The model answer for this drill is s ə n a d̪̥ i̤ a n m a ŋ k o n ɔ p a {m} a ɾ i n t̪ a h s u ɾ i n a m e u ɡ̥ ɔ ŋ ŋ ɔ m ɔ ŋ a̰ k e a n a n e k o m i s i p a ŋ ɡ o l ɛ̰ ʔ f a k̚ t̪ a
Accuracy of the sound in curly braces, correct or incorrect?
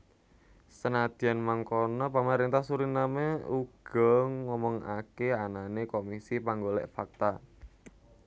correct